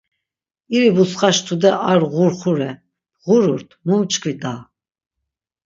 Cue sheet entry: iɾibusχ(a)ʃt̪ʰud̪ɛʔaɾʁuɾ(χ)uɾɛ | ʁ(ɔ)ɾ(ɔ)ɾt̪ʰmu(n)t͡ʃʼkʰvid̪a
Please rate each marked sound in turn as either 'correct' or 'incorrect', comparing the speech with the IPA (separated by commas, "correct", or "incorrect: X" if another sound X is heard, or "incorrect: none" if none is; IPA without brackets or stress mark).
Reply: correct, correct, incorrect: u, incorrect: u, incorrect: m